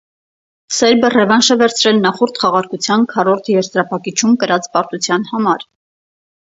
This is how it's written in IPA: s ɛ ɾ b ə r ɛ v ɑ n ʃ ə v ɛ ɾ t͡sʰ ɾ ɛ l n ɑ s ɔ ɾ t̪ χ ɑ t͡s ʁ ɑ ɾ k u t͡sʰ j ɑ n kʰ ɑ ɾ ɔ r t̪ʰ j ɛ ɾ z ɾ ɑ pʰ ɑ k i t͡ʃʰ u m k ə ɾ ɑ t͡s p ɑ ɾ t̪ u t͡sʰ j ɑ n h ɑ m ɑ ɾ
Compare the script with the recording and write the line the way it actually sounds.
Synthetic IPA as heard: s ɛ ɾ b ə r ɛ v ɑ n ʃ ə v ɛ ɾ t͡sʰ ɾ ɛ l n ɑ χ ɔ ɾ t̪ χ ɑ ʁ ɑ ɾ k u t͡sʰ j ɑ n kʰ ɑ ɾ ɔ ɾ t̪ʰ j ɛ ɾ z ɾ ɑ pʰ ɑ k i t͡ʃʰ u m k ə ɾ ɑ t͡s p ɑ ɾ t̪ u t͡sʰ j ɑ n h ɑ m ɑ ɾ

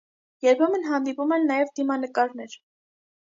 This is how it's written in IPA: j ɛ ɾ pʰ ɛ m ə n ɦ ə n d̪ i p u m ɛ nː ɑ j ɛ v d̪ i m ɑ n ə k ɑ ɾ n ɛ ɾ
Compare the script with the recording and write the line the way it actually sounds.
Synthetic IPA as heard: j ɛ ɾ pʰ ɛ m ə n ɦ ɑ n d̪ i p u m ɛ nː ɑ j ɛ v d̪ i m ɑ n ə k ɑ ɾ n ɛ ɾ

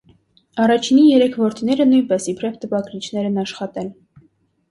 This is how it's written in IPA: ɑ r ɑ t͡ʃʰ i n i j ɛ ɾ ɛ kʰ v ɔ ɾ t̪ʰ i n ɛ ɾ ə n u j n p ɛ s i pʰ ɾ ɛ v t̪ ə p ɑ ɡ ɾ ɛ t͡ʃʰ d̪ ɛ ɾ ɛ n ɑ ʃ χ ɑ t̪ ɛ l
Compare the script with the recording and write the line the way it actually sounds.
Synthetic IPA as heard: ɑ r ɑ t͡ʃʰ i n i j ɛ ɾ ɛ kʰ v ɔ ɾ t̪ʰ i n ɛ ɾ ə n u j n p ɛ s i pʰ ɾ ɛ v t̪ ə p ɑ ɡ ɾ i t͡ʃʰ n̪ ɛ ɾ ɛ n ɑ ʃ χ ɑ t̪ ɛ l

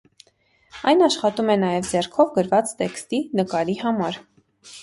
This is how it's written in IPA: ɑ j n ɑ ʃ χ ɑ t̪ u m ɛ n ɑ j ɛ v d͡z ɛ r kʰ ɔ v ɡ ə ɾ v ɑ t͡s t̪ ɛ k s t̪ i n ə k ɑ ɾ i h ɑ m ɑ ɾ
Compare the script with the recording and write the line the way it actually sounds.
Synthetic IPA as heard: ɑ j n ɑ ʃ χ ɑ t̪ u m ɛ n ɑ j ɛ v d͡z ɛ r kʰ ɔ v ɡ ə ɾ v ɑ t͡s t̪ ɛ k s t̪ i n ə k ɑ ɾ i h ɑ m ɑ ɾ

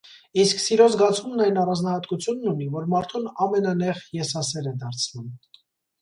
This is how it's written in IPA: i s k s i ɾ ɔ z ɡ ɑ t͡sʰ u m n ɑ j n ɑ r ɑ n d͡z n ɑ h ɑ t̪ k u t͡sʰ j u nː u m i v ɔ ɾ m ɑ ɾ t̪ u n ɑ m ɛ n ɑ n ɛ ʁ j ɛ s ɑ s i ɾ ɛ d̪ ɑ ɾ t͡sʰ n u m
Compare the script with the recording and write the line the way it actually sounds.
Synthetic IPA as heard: i s k s i ɾ ɔ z ɡ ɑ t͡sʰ u m n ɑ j n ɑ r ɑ n d͡z n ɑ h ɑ t̪ k u t͡sʰ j u nː u n i v ɔ ɾ m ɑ ɾ t̪ʰ u n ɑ m ɛ n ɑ n ɛ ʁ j ɛ s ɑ s ɛ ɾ ɛ d̪ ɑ ɾ t͡sʰ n u m

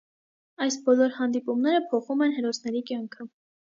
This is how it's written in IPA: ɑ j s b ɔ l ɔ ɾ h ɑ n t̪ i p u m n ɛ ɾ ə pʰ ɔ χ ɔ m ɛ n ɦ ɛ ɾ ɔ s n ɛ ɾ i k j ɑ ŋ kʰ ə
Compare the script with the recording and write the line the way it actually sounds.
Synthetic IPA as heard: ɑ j s b ɔ l ɔ ɾ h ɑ n d̪ i p u m n ɛ ɾ ə pʰ ɔ χ u m ɛ n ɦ ɛ ɾ ɔ s n ɛ ɾ i k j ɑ ŋ kʰ ə

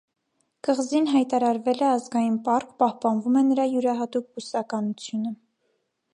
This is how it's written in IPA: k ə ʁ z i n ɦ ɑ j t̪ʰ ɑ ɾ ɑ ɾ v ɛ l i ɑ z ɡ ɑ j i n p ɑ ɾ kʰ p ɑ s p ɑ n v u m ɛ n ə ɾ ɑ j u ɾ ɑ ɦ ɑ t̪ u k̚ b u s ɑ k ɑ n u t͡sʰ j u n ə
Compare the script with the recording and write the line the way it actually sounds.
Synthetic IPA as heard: k ə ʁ z i n ɦ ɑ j t̪ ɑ ɾ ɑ ɾ v ɛ l ɛ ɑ z ɡ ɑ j i n p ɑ ɾ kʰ p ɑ h p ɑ n v u m ɛ n ə ɾ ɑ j u ɾ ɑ ɦ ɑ t̪ u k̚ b u s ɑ k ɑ n u t͡sʰ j u n ə

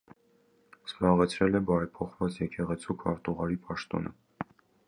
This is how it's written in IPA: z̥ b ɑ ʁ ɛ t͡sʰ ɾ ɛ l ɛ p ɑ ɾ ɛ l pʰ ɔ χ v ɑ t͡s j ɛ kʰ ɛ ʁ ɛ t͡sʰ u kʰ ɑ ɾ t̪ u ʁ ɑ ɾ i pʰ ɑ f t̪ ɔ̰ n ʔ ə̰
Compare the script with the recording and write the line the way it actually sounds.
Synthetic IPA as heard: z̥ b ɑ ʁ ɛ t͡sʰ ɾ ɛ l ɛ b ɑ ɾ ɛ pʰ ɔ χ v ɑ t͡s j ɛ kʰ ɛ ʁ ɛ t͡sʰ u kʰ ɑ ɾ t̪ u ʁ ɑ ɾ i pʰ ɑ ʃ t̪ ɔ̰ n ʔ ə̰

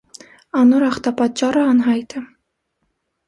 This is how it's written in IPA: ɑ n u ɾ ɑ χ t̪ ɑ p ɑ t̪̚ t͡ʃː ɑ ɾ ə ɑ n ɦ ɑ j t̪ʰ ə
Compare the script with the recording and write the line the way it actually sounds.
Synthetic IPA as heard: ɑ n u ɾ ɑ χ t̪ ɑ p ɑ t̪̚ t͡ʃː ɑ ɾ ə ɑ n ɦ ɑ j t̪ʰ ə

